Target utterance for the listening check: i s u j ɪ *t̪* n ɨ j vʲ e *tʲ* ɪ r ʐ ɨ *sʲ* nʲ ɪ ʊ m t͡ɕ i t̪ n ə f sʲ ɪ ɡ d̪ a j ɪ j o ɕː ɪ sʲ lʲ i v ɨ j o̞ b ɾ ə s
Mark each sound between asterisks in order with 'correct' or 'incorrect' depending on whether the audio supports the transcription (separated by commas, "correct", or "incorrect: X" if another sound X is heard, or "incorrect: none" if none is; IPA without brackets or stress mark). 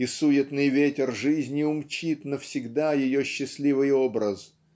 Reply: correct, correct, incorrect: zʲ